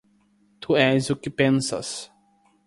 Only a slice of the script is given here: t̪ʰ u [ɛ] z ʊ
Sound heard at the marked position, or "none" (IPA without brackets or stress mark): ɛ